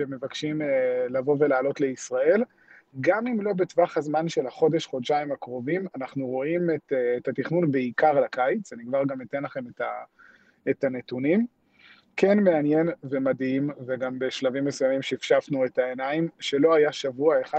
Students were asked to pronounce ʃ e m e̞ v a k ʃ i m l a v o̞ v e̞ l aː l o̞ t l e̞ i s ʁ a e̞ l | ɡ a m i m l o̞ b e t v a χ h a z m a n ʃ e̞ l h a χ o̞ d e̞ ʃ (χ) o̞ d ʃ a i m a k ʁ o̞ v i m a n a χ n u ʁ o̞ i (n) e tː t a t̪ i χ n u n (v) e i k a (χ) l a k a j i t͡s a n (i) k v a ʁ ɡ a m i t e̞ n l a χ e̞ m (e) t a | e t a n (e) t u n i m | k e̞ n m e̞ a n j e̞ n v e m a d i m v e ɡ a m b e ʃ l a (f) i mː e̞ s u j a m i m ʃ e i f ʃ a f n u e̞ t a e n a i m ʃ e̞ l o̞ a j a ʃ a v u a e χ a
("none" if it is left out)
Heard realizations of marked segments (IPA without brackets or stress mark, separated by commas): χ, m, b, ʁ, i, e, e, v